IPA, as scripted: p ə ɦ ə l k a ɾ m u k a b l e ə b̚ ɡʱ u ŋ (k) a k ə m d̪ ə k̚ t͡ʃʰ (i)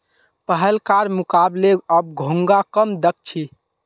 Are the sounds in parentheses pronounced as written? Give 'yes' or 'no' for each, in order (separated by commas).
no, yes